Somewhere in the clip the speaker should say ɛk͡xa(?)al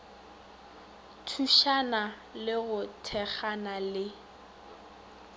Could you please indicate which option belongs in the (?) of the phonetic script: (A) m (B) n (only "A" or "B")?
B